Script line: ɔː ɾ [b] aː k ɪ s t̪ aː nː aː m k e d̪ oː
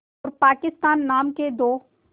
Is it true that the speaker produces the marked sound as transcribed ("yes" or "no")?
no